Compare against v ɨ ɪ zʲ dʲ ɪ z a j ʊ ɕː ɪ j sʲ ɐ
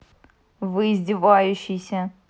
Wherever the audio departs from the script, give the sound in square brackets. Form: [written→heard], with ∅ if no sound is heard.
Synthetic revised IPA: v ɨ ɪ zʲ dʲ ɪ [z→v] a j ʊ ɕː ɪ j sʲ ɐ

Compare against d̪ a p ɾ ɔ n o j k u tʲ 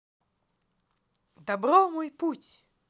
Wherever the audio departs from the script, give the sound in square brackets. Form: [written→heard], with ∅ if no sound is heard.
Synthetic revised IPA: d̪ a [p→b] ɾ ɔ [n→m] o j [k→p] u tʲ

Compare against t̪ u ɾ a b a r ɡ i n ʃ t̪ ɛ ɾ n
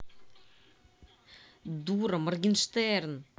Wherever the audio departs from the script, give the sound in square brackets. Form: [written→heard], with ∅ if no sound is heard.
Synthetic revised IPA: [t̪→d̪] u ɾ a [b→m] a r ɡ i n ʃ t̪ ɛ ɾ n

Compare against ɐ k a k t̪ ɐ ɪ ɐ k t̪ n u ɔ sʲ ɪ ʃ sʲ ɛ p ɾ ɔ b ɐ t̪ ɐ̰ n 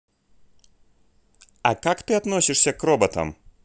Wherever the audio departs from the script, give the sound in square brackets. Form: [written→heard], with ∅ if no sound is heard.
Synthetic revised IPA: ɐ k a k t̪ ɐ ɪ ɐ [k→∅] t̪ n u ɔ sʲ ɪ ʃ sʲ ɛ [p→k] ɾ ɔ b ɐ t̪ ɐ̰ [n→m]

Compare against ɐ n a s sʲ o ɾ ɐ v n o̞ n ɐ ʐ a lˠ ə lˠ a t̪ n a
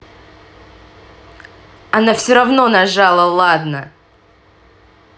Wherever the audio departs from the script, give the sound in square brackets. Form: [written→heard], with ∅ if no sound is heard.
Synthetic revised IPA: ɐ n a [s→f] sʲ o ɾ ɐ v n o̞ n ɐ ʐ a lˠ ə lˠ a [t̪→d̪] n [a→ə]

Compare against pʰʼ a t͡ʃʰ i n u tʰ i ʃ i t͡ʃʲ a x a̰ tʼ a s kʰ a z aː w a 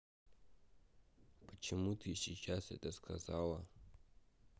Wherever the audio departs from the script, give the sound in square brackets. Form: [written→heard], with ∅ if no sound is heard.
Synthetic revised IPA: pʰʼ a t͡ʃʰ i [n→m] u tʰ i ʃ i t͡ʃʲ a [x→s] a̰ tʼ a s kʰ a z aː w a

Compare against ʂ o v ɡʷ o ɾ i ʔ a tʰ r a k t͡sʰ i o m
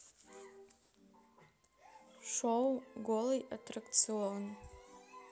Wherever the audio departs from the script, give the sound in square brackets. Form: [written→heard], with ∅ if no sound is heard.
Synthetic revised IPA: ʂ o [v→w] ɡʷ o [ɾ→l] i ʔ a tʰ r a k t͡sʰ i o [m→n]

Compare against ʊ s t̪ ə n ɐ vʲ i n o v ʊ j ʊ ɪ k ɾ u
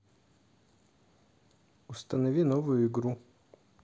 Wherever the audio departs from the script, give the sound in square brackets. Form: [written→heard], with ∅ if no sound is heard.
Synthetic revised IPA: ʊ s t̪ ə n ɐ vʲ i n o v ʊ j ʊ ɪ [k→ɡ] ɾ u

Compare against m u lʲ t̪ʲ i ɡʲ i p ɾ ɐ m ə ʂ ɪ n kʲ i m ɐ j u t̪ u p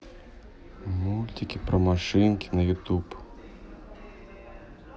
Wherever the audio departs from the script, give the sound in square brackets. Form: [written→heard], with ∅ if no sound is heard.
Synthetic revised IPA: m u lʲ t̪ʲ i [ɡʲ→kʲ] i p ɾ ɐ m [ə→a] ʂ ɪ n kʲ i [m→n] ɐ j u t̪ u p

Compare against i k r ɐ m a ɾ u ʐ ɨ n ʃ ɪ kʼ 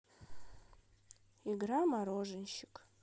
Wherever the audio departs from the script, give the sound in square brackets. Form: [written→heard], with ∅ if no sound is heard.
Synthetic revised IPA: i [k→ɡ] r [ɐ→a] m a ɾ [u→o] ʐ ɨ n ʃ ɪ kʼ

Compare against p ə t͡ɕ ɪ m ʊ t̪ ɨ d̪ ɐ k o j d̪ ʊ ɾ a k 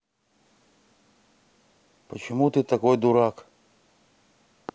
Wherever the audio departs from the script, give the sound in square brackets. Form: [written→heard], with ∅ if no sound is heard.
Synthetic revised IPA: p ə t͡ɕ ɪ m [ʊ→u] t̪ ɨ [d̪→t̪] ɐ k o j d̪ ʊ ɾ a k

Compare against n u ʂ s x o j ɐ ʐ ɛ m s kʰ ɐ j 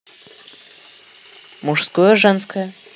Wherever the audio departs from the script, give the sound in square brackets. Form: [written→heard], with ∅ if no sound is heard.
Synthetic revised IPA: [n→m] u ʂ s [x→k] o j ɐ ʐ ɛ [m→n] s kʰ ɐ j

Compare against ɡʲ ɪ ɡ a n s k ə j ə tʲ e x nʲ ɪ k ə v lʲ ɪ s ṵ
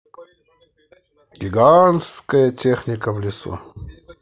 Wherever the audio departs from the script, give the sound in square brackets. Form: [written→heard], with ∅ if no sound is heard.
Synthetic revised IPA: ɡʲ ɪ ɡ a n s k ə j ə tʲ e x nʲ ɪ k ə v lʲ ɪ s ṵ

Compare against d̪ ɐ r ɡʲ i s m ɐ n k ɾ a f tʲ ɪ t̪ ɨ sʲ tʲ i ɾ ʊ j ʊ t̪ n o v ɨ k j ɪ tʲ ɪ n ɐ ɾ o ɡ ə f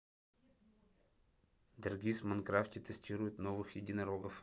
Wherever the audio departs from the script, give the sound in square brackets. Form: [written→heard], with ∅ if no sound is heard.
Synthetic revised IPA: d̪ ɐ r ɡʲ i s m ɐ n k ɾ a f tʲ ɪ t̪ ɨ sʲ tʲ i ɾ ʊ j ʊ t̪ n o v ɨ [k→x] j ɪ [tʲ→dʲ] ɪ n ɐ ɾ o ɡ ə f

